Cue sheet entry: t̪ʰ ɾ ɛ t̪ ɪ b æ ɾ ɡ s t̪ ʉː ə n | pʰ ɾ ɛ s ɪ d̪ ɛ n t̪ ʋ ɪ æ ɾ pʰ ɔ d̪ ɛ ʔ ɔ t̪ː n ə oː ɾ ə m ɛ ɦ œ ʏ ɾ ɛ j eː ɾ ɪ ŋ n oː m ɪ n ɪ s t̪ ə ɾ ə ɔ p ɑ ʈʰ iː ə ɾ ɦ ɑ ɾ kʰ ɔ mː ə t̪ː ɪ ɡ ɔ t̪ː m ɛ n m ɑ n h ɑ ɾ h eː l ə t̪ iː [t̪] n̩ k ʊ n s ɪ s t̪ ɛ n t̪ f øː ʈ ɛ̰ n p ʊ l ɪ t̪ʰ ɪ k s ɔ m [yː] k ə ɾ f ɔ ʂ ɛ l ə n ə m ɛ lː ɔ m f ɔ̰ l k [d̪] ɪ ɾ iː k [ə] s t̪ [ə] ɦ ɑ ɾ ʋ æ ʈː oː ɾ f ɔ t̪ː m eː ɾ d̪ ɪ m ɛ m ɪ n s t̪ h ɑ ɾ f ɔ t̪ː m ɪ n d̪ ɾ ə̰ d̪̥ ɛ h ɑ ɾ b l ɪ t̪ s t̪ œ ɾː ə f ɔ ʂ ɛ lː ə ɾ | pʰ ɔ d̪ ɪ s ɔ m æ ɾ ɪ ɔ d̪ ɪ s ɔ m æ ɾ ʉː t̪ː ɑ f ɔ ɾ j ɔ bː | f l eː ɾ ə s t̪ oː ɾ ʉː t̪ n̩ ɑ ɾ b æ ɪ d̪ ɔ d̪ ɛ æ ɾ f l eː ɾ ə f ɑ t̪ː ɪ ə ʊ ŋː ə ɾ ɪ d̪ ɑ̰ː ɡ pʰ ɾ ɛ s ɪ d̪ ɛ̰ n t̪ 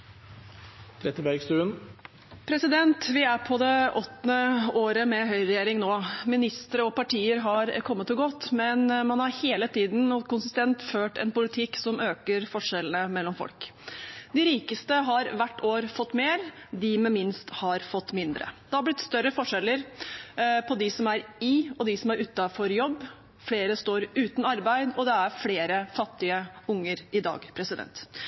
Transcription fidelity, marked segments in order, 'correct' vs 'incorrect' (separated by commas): incorrect, incorrect, correct, correct, correct